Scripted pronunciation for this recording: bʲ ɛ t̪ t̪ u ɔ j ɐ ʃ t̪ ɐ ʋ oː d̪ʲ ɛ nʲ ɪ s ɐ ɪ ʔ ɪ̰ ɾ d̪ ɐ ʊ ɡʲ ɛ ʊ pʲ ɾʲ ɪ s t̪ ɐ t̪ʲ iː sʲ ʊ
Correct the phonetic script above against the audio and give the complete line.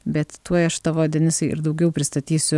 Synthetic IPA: bʲ ɛ t̪ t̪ u ɔ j ɐ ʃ t̪ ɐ ʋ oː d̪ʲ ɛ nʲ ɪ s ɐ ɪ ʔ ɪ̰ ɾ d̪ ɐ ʊ ɡʲ ɛ ʊ pʲ ɾʲ ɪ s t̪ ɐ t̪ʲ iː sʲ ʊ